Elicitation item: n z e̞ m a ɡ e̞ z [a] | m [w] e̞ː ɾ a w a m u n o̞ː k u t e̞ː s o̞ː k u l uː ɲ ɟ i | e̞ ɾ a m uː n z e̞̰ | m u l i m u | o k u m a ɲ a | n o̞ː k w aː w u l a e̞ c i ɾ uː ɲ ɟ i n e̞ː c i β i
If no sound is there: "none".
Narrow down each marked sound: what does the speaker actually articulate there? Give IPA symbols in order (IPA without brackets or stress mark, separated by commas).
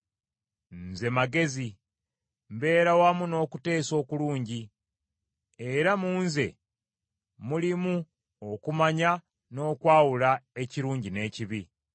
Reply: i, b